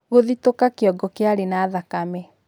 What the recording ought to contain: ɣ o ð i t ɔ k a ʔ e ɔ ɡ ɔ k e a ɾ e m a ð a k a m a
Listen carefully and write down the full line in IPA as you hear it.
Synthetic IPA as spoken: ɣ o ð i t o k a k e ɔ ɡ ɔ k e a ɾ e n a ð a k a m ɛ